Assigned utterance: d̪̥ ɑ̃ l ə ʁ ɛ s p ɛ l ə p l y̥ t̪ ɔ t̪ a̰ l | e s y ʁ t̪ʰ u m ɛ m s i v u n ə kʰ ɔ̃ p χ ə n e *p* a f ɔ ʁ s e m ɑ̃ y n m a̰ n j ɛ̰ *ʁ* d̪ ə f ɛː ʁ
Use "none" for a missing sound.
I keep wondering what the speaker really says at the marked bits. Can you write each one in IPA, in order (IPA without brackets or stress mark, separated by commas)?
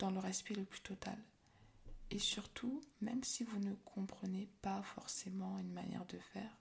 p, ʁ